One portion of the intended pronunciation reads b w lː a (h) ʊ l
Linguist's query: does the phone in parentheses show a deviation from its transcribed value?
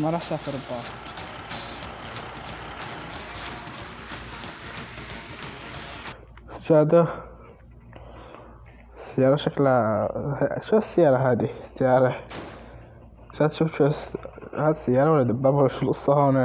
yes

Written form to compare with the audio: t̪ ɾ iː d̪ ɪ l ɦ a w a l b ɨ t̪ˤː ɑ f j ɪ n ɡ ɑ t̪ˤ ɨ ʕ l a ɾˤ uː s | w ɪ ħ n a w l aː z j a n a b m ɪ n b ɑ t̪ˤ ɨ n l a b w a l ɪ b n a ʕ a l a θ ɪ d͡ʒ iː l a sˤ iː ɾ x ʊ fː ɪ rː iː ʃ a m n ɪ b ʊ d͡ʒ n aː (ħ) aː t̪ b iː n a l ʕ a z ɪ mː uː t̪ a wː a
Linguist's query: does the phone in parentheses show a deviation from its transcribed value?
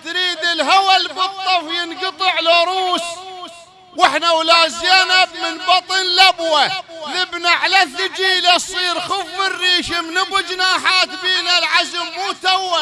no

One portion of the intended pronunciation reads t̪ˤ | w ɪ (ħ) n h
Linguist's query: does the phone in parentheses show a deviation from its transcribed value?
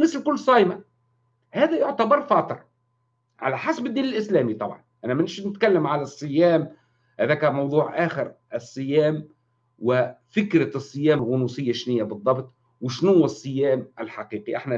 yes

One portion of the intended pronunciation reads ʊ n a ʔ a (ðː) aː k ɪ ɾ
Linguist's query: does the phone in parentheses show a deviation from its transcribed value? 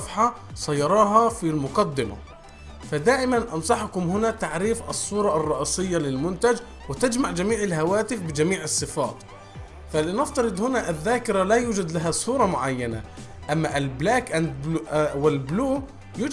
no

